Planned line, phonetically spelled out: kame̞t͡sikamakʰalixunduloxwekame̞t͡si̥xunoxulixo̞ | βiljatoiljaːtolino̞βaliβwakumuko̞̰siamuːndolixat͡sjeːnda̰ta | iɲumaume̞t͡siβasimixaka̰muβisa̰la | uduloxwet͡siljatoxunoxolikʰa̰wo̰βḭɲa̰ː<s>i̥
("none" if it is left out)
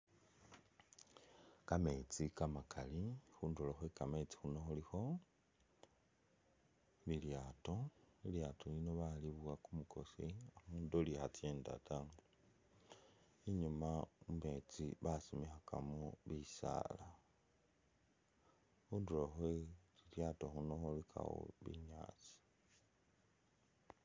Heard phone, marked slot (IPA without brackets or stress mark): t͡s